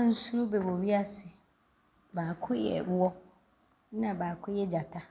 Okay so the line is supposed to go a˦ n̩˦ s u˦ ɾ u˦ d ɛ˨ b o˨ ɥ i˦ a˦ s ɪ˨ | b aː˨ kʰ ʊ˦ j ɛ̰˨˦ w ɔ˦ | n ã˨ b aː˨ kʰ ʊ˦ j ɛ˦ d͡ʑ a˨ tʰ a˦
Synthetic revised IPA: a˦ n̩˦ s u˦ ɾ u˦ b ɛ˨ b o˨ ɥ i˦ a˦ s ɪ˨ | b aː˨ kʰ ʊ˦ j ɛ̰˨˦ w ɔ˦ | n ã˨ b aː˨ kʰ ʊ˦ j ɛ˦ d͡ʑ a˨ tʰ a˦